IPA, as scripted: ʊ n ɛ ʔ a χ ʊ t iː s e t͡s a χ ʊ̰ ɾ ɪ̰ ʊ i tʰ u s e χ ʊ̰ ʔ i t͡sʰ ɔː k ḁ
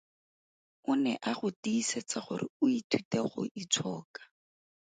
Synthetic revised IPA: ʊ n ɛ ʔ a χ ʊ t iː s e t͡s a χ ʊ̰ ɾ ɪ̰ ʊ i tʰ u t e χ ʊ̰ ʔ i t͡sʰ ɔː k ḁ